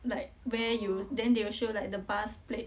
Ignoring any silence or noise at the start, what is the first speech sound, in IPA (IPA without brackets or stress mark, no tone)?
l